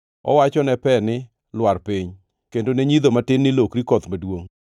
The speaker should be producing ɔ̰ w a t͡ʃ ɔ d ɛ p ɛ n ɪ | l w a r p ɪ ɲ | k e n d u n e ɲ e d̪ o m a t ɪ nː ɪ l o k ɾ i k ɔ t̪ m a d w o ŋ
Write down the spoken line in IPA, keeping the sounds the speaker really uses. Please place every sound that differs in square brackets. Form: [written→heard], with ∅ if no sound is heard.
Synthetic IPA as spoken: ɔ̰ w a t͡ʃ ɔ [d→n] ɛ p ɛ n ɪ | l w a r p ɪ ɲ | k e n d [u→o] n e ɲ [e→i] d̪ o m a t ɪ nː ɪ l o k ɾ i k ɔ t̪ m a d w o ŋ